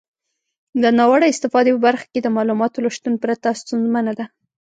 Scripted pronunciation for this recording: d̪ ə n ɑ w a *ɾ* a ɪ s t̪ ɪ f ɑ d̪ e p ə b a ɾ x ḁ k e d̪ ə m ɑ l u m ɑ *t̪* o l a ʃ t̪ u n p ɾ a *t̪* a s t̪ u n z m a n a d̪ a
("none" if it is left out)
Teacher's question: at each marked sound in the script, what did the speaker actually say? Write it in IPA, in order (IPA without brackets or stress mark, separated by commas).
ɽ, t̪, t̪